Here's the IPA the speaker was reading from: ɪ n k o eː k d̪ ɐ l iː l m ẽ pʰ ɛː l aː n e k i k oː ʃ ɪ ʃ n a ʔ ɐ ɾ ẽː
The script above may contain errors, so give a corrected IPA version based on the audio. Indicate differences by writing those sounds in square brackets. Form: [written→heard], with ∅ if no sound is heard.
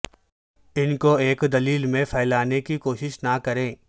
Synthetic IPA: ɪ n k o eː k d̪ ɐ l iː l m ẽ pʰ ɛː l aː n e k i k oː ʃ ɪ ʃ n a [ʔ→k] ɐ ɾ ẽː